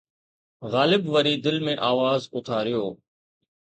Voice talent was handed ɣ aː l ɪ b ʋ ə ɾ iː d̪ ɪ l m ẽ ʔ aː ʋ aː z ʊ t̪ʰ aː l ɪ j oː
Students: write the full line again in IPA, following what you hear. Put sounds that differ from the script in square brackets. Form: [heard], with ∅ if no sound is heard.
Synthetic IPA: ɣ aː l ɪ b ʋ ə ɾ iː d̪ ɪ l m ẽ ʔ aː ʋ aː z ʊ t̪ʰ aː [ɾ] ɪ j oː

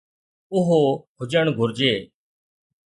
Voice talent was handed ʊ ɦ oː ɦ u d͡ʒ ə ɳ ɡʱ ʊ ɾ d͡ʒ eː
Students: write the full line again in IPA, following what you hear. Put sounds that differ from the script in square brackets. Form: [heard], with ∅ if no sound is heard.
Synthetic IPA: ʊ ɦ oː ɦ [ʊ] d͡ʒ ə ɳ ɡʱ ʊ ɾ d͡ʒ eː

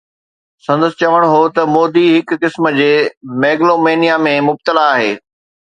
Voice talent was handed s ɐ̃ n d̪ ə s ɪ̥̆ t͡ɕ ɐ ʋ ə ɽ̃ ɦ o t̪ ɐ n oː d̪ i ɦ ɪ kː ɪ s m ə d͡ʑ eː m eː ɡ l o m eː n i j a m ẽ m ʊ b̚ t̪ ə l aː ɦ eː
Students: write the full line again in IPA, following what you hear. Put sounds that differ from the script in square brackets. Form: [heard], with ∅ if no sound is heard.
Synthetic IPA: s ɐ̃ n d̪ ə s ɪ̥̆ t͡ɕ ɐ ʋ ə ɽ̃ ɦ o t̪ ɐ [m] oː d̪ i ɦ ɪ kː ɪ s m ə d͡ʑ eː m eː ɡ l o m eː n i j a m ẽ m ʊ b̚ t̪ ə l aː ɦ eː

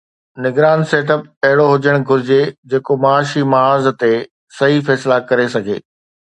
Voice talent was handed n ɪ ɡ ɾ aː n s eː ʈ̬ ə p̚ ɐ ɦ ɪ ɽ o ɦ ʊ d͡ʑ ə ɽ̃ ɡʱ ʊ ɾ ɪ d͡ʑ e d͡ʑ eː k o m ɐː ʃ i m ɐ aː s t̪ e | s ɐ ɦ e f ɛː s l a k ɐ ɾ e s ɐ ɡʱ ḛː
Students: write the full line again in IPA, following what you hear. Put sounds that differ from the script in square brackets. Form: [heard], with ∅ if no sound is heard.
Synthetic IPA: n ɪ ɡ ɾ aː n s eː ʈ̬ ə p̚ ɐ ɦ ɪ ɽ o ɦ ʊ d͡ʑ ə ɽ̃ ɡʱ ʊ ɾ ɪ d͡ʑ e d͡ʑ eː k o m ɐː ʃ i m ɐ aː [z] t̪ e | s ɐ ɦ [i] f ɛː s l a k ɐ ɾ e s ɐ ɡʱ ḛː

